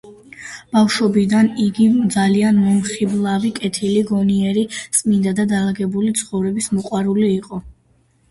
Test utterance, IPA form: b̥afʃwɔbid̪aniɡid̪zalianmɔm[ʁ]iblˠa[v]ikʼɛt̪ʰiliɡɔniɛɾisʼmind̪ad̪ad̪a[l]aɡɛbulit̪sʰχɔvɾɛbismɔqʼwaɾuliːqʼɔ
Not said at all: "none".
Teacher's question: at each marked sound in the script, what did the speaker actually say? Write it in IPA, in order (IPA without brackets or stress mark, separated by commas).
χ, v, l